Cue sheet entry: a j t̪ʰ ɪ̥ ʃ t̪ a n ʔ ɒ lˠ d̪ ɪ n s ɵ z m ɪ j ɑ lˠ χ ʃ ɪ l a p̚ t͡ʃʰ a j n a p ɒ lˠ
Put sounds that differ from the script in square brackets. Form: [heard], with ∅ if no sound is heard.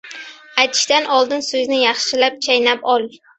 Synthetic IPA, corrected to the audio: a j t̪ʰ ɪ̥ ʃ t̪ a n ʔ ɒ lˠ d̪ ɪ n s ɵ z [n] ɪ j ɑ [∅] χ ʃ ɪ l a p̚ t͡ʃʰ a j n a p ɒ lˠ

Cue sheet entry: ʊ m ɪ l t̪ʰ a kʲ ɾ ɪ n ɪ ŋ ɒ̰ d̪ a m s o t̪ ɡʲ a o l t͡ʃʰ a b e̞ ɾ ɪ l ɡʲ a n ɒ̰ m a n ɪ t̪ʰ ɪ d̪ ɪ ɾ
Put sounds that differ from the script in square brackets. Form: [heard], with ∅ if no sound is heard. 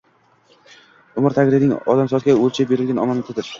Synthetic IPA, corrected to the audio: ʊ m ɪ [ɾ] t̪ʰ a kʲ ɾ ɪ n ɪ ŋ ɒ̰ d̪ a m s [ɒ] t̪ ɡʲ a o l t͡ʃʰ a b e̞ ɾ ɪ l ɡʲ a n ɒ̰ m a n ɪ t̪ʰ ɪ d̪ ɪ ɾ

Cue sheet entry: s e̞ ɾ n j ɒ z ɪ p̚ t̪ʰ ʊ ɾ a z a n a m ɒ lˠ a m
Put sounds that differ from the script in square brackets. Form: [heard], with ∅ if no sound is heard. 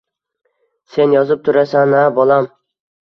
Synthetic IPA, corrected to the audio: s e̞ [∅] n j ɒ z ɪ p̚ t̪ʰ ʊ ɾ a [s] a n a [b] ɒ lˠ a m

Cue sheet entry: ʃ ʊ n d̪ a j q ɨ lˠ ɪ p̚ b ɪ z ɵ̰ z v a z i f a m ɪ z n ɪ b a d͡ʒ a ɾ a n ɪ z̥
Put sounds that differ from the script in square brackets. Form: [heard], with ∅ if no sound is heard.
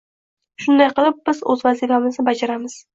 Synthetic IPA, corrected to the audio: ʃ ʊ n d̪ a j q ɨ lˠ ɪ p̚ b ɪ z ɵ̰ z v a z i f a m ɪ z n ɪ b a d͡ʒ a ɾ a [m] ɪ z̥

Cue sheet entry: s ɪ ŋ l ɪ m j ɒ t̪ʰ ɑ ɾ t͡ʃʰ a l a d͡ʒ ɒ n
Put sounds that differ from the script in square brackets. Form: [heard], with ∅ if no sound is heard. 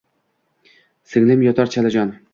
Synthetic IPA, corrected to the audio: s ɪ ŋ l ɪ m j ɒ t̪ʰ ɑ ɾ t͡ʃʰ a l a d͡ʒ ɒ n

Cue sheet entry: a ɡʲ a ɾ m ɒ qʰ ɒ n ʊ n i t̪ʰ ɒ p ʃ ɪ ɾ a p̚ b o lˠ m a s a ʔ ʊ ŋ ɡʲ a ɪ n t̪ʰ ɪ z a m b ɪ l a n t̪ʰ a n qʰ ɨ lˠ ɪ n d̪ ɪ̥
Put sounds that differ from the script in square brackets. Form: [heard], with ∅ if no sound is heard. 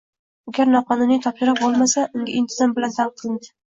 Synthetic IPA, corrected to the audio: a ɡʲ a ɾ [n] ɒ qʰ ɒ n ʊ n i t̪ʰ ɒ p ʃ ɪ ɾ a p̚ b o lˠ m a s a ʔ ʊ ŋ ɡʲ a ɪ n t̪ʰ ɪ z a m b ɪ l a n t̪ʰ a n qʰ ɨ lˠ ɪ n d̪ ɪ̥

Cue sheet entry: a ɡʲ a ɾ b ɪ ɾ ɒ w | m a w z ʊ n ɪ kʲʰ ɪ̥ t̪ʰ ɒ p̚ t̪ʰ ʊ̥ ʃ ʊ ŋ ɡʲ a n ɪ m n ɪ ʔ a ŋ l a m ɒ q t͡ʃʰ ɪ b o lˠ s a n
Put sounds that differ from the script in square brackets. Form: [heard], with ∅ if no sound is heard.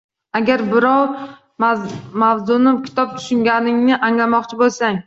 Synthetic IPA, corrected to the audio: a ɡʲ a ɾ b ɪ ɾ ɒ w | m a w z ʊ n ɪ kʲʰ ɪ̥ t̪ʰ ɒ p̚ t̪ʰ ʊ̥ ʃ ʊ ŋ ɡʲ a n ɪ [ŋ] n ɪ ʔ a ŋ l a m ɒ q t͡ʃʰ ɪ b o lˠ s a [ŋ]

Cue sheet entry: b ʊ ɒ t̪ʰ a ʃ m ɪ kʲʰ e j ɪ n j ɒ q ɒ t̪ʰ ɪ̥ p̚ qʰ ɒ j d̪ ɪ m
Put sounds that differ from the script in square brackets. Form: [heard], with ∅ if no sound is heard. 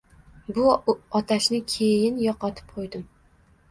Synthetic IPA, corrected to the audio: b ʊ ɒ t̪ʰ a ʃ [n] ɪ kʲʰ e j ɪ n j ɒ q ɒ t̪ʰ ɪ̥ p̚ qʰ [o] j d̪ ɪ m

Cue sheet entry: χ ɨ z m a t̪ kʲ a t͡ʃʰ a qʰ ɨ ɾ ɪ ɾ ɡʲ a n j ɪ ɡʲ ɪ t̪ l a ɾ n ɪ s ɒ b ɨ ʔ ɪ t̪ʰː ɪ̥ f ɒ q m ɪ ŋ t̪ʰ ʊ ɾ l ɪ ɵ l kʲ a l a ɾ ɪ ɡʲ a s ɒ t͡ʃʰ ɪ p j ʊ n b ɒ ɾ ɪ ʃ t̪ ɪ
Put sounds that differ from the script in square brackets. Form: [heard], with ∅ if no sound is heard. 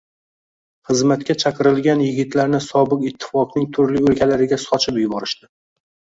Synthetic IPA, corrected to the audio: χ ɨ z m a t̪ kʲ a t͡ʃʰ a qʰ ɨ ɾ ɪ [l] ɡʲ a n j ɪ ɡʲ ɪ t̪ l a ɾ n ɪ s ɒ b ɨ [q] ɪ t̪ʰː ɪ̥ f ɒ q [n] ɪ ŋ t̪ʰ ʊ ɾ l ɪ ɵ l kʲ a l a ɾ ɪ ɡʲ a s ɒ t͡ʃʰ ɪ p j ʊ [∅] b ɒ ɾ ɪ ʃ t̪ ɪ

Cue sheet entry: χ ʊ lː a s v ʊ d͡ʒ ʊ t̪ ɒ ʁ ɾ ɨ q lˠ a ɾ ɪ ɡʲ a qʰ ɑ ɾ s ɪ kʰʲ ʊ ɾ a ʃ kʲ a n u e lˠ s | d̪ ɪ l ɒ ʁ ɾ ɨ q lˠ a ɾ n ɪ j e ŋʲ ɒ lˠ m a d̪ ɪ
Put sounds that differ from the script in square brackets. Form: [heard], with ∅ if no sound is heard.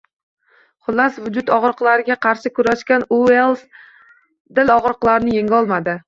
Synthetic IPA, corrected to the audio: χ ʊ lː a s v ʊ d͡ʒ ʊ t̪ ɒ ʁ ɾ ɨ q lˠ a ɾ ɪ ɡʲ a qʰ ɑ ɾ [ʃ] ɪ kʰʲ ʊ ɾ a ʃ kʲ a n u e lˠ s | d̪ ɪ l ɒ ʁ ɾ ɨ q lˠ a ɾ n ɪ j e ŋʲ ɒ lˠ m a d̪ ɪ

